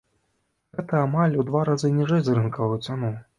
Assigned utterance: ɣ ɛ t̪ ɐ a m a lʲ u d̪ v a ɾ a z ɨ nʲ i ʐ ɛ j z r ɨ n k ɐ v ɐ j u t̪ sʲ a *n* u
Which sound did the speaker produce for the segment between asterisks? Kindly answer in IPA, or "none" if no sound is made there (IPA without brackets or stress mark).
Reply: n